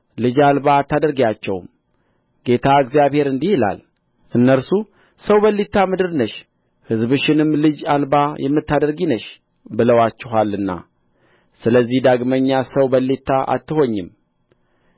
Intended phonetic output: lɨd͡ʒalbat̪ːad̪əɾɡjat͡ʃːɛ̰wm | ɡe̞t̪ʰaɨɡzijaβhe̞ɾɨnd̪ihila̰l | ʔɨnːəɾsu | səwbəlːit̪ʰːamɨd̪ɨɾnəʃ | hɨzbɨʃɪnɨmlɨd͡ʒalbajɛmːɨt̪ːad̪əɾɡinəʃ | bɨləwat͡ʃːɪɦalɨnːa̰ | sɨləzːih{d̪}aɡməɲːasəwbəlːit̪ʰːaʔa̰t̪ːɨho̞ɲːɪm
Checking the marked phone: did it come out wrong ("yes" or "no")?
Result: no